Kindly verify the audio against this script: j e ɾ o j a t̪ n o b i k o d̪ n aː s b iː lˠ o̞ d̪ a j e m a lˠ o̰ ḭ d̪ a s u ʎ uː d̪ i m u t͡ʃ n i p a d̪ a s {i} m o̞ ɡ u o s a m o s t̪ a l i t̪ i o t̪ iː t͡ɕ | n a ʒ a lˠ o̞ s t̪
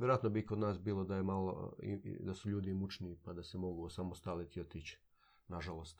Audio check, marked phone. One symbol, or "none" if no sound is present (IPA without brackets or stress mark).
e